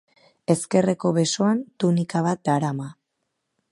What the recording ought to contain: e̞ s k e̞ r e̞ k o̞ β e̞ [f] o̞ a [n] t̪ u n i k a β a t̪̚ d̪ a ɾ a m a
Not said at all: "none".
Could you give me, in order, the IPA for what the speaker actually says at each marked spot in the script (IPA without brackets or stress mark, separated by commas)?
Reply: s, n